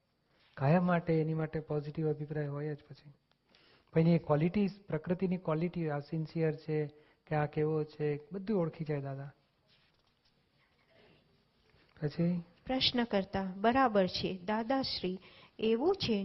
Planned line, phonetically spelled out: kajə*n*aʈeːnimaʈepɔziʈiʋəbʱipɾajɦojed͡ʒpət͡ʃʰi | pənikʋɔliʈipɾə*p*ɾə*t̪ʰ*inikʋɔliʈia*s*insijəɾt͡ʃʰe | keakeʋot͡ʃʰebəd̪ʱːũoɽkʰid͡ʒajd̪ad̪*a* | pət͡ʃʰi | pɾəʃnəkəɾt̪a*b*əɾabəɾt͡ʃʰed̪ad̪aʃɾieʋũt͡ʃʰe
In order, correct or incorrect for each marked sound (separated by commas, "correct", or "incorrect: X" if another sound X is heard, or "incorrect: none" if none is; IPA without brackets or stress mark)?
incorrect: m, incorrect: k, incorrect: t̪, correct, correct, correct